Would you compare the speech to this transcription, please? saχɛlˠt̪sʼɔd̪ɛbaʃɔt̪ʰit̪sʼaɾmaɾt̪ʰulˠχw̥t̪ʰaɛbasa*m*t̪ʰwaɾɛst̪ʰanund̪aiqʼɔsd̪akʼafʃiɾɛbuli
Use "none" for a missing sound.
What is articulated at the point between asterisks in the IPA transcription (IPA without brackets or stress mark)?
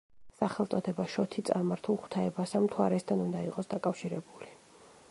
m